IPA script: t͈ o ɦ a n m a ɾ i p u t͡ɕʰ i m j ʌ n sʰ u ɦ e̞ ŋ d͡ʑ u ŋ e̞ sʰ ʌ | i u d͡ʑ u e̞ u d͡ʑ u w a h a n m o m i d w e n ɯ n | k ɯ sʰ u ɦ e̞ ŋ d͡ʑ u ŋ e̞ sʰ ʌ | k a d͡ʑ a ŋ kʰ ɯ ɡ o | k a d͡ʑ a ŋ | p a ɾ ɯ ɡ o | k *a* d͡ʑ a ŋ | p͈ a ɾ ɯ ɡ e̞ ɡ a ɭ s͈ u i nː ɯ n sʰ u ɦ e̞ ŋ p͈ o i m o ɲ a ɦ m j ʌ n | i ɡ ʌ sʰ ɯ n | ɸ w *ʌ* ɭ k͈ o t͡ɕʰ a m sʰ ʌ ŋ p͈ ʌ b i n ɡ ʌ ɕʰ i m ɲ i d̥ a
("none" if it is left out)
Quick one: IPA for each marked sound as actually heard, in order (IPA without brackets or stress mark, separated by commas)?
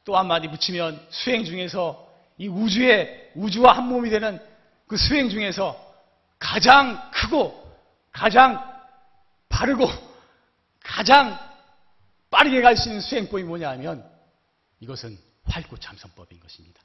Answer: a, a